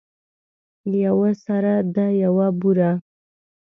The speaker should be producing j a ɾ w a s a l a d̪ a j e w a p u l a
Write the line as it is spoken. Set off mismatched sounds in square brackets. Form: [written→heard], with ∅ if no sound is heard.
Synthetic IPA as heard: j a [ɾ→∅] w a s a [l→ɾ] a d̪ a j [e→a] w a [p→b] u [l→ɾ] a